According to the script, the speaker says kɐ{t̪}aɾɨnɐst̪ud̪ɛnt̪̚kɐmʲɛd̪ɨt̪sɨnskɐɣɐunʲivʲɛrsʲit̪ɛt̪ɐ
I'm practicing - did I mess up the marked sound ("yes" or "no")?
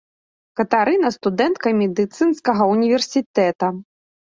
no